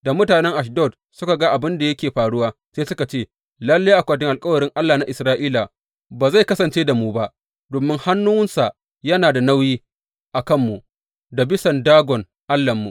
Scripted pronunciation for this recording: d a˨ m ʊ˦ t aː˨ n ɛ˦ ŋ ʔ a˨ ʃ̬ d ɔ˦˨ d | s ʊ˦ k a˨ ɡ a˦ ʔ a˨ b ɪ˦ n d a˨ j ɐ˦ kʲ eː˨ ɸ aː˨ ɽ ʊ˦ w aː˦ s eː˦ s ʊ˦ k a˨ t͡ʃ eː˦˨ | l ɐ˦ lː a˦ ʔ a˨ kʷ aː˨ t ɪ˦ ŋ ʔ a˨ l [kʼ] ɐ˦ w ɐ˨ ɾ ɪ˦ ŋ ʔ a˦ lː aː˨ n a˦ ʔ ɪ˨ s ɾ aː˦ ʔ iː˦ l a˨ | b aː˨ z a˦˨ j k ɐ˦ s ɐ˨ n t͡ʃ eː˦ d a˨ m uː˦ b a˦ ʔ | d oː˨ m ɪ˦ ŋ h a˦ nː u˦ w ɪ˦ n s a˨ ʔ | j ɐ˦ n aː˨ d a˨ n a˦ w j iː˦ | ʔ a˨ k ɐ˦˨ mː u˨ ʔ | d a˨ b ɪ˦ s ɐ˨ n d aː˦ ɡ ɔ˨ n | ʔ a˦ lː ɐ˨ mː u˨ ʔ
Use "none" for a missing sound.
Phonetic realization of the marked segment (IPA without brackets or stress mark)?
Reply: kʼ